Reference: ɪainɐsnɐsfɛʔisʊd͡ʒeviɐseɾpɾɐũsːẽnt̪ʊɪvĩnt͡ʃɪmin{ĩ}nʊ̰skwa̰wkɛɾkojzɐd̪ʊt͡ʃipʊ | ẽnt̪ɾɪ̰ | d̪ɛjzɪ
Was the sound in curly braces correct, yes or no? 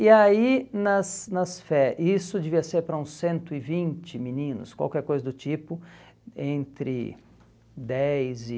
yes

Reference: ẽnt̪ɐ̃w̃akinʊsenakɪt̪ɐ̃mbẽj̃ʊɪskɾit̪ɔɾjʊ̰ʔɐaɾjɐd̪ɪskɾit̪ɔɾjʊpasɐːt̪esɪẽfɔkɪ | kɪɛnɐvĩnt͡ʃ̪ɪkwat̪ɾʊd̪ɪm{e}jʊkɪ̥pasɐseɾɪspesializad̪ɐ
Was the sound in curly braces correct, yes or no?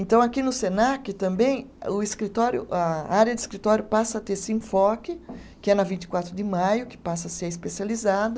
no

